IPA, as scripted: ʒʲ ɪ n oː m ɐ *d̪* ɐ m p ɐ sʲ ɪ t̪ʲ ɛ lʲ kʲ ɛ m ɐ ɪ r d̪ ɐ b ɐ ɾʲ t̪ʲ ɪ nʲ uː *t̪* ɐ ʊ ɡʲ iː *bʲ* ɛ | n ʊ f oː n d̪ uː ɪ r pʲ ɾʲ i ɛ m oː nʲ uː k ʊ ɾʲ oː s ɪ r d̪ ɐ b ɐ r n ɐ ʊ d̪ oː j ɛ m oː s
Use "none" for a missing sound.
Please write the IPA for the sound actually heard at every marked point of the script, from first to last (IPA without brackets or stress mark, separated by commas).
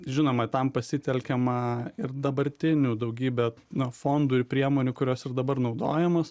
t̪, d̪, bʲ